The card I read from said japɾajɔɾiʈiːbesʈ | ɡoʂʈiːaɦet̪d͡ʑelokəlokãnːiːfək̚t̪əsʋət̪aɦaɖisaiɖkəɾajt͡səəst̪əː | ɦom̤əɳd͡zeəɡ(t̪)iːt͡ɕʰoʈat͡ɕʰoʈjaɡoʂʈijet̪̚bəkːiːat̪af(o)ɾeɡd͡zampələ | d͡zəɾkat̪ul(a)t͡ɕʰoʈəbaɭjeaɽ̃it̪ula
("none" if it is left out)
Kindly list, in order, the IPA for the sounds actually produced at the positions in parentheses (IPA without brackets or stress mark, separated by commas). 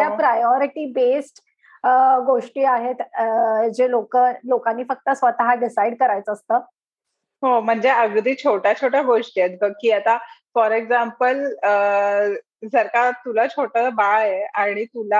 d̪, ɔ, a